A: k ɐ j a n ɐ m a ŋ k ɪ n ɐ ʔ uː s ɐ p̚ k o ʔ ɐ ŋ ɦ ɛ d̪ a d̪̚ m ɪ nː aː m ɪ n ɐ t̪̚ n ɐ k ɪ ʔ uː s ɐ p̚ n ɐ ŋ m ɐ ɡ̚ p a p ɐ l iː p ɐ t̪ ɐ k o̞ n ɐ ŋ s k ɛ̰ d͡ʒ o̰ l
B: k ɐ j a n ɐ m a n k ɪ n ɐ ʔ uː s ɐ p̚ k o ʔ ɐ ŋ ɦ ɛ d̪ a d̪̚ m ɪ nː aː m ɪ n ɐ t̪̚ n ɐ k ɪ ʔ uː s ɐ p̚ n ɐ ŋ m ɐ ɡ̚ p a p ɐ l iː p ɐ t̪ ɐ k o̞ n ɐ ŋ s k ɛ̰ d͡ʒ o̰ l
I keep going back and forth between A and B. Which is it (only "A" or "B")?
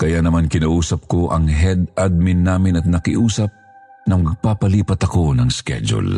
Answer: B